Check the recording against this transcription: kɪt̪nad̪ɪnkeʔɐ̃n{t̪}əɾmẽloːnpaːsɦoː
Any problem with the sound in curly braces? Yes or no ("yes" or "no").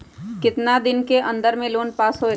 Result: yes